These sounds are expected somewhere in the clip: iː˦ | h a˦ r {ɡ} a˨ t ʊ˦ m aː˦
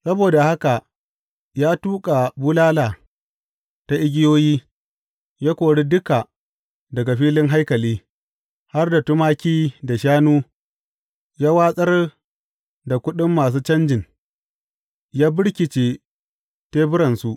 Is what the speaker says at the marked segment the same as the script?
no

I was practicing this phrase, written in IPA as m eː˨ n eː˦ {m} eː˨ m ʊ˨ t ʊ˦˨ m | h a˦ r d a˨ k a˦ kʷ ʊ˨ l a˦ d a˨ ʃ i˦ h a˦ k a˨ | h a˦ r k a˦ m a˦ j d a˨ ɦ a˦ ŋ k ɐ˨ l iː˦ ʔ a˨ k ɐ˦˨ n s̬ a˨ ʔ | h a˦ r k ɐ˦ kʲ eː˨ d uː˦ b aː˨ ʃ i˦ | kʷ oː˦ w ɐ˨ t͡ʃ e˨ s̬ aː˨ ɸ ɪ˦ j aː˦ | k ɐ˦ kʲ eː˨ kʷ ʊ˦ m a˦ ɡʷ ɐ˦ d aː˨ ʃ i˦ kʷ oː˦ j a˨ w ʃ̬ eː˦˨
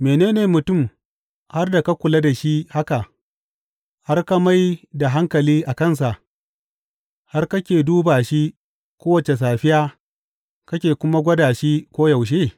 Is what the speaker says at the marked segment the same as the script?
no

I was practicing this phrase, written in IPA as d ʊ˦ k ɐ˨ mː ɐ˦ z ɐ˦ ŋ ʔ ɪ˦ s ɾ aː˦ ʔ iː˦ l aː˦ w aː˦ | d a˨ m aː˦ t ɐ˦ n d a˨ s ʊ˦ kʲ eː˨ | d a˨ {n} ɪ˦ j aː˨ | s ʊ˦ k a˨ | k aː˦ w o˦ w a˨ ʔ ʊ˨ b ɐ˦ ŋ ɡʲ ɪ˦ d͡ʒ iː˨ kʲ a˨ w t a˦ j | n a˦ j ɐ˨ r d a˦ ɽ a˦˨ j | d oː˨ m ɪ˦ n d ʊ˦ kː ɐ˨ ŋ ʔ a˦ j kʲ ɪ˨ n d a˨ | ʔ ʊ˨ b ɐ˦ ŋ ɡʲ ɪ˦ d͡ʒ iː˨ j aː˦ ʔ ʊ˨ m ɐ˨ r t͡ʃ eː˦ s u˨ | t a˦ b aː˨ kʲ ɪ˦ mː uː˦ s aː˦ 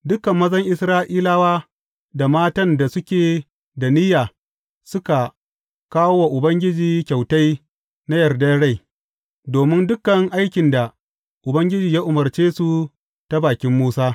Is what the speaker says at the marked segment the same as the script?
yes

